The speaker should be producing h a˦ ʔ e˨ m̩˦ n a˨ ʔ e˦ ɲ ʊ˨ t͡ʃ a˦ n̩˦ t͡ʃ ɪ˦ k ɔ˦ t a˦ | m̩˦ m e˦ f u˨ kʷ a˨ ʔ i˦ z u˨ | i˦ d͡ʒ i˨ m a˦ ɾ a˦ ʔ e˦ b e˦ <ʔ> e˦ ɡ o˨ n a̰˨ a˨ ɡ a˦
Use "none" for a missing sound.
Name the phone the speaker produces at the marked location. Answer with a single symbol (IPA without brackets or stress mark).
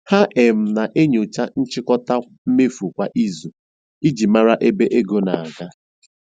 ʔ